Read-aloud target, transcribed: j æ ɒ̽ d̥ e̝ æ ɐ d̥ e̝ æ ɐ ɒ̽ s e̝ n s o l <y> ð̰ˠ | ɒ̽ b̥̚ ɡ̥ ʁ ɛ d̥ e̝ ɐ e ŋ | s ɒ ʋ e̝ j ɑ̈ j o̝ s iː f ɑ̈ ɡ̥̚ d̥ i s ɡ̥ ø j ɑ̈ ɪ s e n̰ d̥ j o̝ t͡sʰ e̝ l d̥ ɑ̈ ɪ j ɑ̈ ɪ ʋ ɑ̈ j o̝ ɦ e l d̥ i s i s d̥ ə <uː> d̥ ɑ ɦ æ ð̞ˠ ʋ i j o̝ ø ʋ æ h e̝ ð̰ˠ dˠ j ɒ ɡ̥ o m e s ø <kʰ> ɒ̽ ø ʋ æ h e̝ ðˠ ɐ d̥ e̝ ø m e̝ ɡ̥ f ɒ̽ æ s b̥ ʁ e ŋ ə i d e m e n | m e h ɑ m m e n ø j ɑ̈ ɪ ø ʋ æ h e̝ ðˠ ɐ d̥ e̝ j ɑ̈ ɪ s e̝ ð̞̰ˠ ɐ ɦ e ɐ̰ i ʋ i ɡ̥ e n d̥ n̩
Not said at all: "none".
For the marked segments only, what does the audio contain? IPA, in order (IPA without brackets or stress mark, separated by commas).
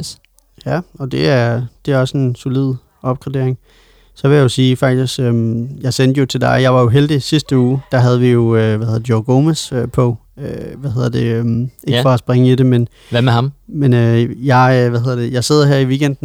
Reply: i, uː, pʰ